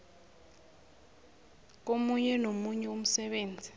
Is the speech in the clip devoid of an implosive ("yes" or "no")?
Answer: no